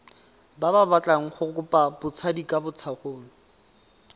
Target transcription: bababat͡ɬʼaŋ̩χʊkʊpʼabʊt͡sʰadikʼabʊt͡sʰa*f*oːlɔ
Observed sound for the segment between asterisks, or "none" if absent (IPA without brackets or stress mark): χ